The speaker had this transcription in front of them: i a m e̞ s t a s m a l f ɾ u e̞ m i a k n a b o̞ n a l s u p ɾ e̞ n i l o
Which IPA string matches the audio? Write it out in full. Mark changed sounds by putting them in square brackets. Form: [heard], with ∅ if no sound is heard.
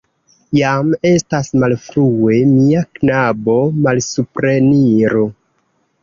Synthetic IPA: [j] a m e̞ s t a s m a l f ɾ u e̞ m i a k n a b o̞ [m] a l s u p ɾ e̞ n i [ɾ] o